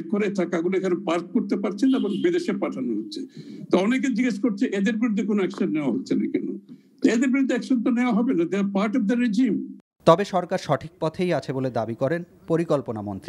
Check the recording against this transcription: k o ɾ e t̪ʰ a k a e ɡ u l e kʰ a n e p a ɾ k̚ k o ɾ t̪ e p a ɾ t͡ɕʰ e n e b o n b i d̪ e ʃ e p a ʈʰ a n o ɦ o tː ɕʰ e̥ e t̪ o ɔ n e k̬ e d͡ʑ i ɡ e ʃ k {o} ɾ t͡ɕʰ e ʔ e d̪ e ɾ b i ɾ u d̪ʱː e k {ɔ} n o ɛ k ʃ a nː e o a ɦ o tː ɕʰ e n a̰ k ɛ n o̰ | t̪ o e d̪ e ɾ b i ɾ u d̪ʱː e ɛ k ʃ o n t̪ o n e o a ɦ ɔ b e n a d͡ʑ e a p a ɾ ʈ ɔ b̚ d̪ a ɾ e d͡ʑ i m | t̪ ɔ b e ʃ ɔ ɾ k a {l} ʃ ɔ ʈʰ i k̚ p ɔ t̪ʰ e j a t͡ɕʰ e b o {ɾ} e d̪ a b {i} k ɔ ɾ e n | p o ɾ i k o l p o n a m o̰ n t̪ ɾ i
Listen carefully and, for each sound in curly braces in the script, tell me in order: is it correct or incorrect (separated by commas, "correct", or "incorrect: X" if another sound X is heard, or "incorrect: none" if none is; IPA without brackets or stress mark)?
correct, incorrect: o, incorrect: ɾ, incorrect: l, correct